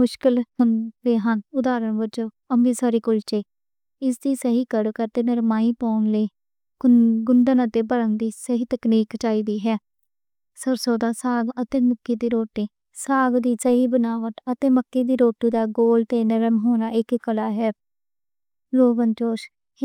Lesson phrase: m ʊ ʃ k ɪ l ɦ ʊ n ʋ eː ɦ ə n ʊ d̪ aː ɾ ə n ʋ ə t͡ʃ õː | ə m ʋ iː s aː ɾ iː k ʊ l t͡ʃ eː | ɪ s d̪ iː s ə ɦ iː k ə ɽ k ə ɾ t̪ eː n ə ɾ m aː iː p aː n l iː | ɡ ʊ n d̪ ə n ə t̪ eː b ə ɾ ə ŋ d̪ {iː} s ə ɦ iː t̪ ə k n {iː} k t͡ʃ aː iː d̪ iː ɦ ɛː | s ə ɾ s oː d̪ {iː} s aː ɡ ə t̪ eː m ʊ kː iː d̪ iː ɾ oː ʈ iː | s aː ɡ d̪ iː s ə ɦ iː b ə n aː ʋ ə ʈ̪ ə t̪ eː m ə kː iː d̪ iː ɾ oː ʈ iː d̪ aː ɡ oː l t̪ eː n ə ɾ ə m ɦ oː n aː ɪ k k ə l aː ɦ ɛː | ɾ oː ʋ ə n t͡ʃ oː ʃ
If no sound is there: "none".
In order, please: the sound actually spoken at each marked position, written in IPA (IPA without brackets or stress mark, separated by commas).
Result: iː, iː, aː